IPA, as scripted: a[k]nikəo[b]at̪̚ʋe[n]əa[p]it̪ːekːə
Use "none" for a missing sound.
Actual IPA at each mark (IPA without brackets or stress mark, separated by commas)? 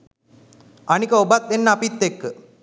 none, b, nː, p